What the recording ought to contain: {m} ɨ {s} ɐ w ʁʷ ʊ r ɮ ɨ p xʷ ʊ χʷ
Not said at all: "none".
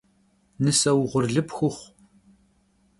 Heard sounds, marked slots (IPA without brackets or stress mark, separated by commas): n, s